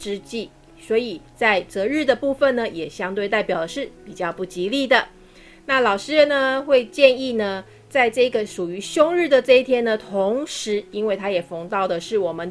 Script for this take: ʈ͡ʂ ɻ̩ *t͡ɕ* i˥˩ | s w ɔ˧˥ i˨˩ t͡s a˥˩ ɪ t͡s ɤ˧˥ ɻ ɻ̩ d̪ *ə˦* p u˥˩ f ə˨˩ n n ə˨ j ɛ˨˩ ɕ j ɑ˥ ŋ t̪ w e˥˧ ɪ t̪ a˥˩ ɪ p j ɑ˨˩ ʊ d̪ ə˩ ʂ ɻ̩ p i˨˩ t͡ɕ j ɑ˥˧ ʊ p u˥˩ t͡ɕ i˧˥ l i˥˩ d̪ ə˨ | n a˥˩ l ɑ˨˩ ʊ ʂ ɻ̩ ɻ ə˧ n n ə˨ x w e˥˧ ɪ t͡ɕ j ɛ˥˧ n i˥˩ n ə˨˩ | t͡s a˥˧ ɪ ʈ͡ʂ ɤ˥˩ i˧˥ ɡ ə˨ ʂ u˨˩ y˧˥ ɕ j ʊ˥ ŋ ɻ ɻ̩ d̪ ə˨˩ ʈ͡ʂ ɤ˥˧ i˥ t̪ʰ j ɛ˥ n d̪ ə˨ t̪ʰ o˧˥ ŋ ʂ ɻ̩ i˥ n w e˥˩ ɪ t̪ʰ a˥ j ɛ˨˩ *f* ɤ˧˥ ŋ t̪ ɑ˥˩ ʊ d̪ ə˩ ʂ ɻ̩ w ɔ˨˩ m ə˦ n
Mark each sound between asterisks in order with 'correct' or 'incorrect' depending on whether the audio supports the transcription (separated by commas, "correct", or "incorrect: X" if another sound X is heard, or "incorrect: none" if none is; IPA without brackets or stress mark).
correct, incorrect: ə˩, correct